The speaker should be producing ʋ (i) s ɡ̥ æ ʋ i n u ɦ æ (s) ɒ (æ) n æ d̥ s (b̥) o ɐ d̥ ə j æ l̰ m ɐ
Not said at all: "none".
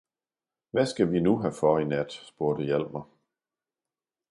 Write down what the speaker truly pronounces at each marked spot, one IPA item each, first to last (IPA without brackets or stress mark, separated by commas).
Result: æ, f, i, b̥